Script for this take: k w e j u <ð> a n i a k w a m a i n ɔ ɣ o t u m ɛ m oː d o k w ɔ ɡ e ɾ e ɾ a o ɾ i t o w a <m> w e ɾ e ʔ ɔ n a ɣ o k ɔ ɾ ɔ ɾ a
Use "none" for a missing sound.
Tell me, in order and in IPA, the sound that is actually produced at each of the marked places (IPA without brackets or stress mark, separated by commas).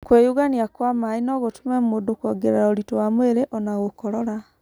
ɣ, m